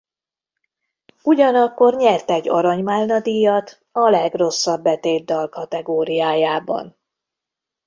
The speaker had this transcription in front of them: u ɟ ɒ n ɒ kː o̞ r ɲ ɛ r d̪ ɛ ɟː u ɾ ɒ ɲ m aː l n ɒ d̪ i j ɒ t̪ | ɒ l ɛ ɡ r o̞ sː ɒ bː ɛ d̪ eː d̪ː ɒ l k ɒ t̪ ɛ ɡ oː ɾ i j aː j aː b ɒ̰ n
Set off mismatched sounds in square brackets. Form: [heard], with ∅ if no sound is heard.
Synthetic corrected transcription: u ɟ ɒ n ɒ kː o̞ r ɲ ɛ r [t̪] ɛ ɟː [ɒ] ɾ ɒ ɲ m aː l n ɒ d̪ i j ɒ t̪ | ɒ l ɛ ɡ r o̞ sː ɒ bː ɛ [t̪] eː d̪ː ɒ l k ɒ t̪ ɛ ɡ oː ɾ i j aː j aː b ɒ̰ n

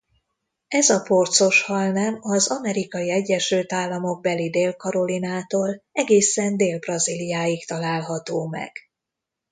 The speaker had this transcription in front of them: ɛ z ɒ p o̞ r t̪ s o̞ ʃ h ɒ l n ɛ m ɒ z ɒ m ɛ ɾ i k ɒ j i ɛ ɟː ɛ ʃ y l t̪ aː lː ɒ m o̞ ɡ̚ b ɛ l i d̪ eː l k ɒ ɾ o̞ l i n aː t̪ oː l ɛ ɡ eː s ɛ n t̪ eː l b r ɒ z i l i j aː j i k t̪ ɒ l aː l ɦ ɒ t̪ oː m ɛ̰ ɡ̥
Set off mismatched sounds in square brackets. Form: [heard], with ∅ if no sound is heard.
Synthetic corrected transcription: ɛ z ɒ p o̞ r t̪ s o̞ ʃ h ɒ l n ɛ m ɒ z ɒ m ɛ ɾ i k ɒ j i ɛ ɟː ɛ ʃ y l t̪ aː lː ɒ m o̞ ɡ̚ b ɛ l i d̪ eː l k ɒ ɾ o̞ l i n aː t̪ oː l ɛ ɡ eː s ɛ n [d̪] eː l b r ɒ z i l i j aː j i k t̪ ɒ l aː l ɦ ɒ t̪ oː m ɛ̰ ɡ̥

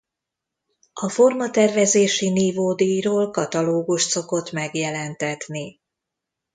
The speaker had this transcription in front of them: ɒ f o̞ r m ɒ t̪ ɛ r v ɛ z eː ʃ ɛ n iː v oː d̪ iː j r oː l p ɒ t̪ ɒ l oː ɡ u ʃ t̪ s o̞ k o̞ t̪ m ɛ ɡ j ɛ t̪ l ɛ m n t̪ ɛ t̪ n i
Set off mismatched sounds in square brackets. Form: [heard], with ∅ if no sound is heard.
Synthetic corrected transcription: ɒ f o̞ r m ɒ t̪ ɛ r v ɛ z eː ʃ [i] n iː v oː d̪ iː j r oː l [k] ɒ t̪ ɒ l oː ɡ u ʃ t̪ s o̞ k o̞ t̪ m ɛ ɡ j ɛ [∅] l ɛ [∅] n t̪ ɛ t̪ n i

